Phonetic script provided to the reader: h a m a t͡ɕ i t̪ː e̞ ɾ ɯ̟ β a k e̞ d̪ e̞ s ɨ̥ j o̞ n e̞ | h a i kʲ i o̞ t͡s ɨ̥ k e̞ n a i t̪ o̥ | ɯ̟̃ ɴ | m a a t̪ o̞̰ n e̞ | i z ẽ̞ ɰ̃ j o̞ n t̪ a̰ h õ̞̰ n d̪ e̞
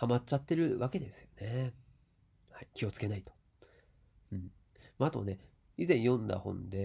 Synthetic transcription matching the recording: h a m a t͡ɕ a t̪ː e̞ ɾ ɯ̟ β a k e̞ d̪ e̞ s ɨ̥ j o̞ n e̞ | h a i kʲ i o̞ t͡s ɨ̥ k e̞ n a i t̪ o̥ | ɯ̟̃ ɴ | m a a t̪ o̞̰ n e̞ | i z ẽ̞ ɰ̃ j õ̞ n d̪ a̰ h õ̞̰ n d̪ e̞